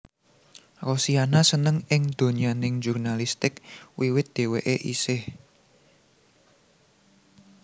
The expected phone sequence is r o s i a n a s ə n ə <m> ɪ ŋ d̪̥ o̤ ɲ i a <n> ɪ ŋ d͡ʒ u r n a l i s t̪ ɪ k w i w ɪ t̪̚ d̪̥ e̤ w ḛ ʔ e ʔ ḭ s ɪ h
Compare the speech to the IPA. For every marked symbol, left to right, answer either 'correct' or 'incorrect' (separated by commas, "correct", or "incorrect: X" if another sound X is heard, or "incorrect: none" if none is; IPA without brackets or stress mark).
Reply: incorrect: ŋ, correct